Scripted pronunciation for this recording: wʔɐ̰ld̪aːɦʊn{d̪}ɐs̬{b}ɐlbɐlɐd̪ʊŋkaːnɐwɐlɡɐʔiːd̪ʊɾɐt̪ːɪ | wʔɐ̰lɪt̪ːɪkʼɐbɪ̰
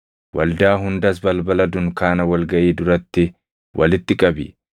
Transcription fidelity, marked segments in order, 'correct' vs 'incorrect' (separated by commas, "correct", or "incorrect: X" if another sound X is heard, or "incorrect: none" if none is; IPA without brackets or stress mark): correct, correct